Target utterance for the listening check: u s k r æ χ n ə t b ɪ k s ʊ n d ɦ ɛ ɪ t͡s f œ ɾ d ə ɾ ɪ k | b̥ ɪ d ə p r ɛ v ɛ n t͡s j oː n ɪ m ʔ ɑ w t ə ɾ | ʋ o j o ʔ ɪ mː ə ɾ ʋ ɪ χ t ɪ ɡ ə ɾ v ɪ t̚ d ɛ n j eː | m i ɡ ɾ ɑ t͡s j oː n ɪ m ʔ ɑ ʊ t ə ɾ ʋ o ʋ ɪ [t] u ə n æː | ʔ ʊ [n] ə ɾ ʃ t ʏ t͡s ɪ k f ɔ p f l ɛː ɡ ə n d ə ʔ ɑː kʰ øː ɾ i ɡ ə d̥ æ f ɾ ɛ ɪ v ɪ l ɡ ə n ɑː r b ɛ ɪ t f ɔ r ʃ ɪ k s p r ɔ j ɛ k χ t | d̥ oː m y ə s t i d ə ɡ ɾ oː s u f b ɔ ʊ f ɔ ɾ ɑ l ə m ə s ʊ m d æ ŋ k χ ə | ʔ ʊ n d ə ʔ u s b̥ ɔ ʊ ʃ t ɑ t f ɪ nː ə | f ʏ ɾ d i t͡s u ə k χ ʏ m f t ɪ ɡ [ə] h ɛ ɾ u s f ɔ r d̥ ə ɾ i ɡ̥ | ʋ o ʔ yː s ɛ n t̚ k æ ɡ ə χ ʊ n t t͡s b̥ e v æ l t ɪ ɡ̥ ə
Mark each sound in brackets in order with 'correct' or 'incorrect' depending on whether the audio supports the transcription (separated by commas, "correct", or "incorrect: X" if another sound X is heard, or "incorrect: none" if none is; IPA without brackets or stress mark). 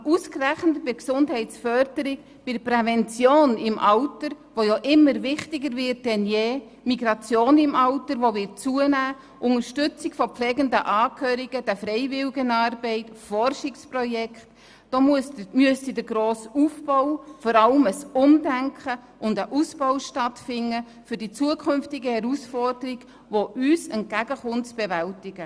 incorrect: t͡s, incorrect: ŋ, correct